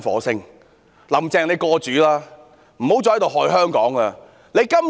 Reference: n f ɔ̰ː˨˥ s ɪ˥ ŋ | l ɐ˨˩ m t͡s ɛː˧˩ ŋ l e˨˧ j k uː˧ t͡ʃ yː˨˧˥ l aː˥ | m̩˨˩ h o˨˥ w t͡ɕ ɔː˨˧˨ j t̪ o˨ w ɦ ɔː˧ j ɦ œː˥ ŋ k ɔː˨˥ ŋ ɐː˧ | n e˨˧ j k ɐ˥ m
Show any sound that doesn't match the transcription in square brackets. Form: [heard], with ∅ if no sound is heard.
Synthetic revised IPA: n f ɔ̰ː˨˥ s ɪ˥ ŋ | l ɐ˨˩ m t͡s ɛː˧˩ ŋ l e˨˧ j k [ɔː˧] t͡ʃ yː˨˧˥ l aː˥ | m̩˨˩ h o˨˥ w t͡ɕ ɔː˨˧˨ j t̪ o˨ w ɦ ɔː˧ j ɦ œː˥ ŋ k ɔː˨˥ ŋ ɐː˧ | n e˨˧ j k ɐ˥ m